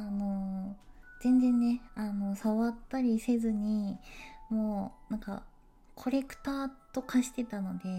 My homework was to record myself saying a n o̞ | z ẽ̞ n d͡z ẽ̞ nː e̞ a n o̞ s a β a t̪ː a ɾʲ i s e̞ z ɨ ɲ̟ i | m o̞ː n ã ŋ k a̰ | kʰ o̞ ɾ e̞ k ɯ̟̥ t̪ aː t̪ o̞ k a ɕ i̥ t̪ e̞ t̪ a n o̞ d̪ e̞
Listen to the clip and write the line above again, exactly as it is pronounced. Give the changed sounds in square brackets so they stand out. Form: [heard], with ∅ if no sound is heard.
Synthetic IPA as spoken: a n o̞ | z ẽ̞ n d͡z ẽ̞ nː e̞ a n o̞ s a β a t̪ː a ɾʲ i s e̞ z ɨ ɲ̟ i | m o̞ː n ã ŋ k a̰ | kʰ o̞ ɾ e̞ k ɯ̟̥ t̪ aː t̪ o̞ k a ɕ i̥ t̪ e̞ t̪ a n o̞ d̪ e̞